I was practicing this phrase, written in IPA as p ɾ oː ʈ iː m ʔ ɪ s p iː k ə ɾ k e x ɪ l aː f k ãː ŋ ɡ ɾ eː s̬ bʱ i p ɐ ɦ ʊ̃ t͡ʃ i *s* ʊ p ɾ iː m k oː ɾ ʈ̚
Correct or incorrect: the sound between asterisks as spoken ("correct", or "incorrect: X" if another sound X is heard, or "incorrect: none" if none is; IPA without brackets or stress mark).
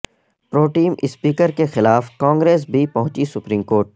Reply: correct